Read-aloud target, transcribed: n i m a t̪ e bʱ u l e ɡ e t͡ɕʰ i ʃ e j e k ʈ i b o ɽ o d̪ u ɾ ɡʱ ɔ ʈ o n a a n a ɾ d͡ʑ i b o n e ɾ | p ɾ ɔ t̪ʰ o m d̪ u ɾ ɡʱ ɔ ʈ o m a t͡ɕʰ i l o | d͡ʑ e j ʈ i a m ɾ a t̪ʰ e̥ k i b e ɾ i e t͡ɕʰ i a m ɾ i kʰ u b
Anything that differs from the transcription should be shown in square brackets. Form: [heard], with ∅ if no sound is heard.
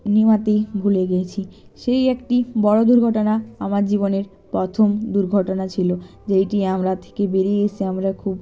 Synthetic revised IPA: n i m a t̪ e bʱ u l e ɡ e t͡ɕʰ i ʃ e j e k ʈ i b [ɔ] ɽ o d̪ u ɾ ɡʱ ɔ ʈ o n a a [m] a ɾ d͡ʑ i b o n e ɾ | p ɾ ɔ t̪ʰ o m d̪ u ɾ ɡʱ ɔ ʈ o [n] a t͡ɕʰ i l o | d͡ʑ e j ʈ i a m ɾ a t̪ʰ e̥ k [e] b e ɾ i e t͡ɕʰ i a m ɾ [a] kʰ u b

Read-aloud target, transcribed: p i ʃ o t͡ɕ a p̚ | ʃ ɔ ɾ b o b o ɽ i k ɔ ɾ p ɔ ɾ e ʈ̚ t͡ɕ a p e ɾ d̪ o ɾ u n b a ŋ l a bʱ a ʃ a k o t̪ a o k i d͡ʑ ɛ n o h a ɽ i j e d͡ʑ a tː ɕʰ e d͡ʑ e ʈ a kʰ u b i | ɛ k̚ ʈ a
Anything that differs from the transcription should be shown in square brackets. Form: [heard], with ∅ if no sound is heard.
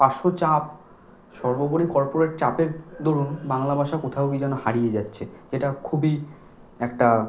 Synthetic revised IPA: p [a] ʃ o t͡ɕ a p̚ | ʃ ɔ ɾ b o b o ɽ i k ɔ ɾ p [o] ɾ e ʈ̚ t͡ɕ a p e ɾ d̪ o ɾ u n b a ŋ l a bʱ a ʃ a k o [t̪ʰ] a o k i d͡ʑ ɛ n o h a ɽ i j e d͡ʑ a tː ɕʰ e d͡ʑ e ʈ a kʰ u b i | ɛ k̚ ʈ a

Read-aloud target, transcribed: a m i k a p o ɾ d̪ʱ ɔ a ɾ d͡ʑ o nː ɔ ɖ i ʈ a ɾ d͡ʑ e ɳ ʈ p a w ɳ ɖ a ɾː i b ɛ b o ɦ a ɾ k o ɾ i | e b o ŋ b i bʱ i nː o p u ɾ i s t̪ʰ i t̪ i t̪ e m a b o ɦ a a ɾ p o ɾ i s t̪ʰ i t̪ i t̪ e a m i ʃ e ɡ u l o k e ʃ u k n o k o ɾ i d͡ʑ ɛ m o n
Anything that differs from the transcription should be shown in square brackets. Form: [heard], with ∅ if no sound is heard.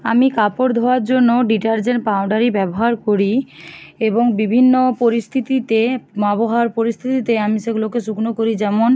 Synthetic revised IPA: a m i k a p o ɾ d̪ʱ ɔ a ɾ d͡ʑ o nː [o] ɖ i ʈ a ɾ d͡ʑ e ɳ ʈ p a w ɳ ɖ a [ɾ] i b ɛ b o ɦ a ɾ k o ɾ i | e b o ŋ b i bʱ i nː o p [o] ɾ i s t̪ʰ i t̪ i t̪ e m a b o ɦ a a ɾ p o ɾ i s t̪ʰ i t̪ i t̪ e a m i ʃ e ɡ u l o k e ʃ u k n o k o ɾ i d͡ʑ ɛ m o n

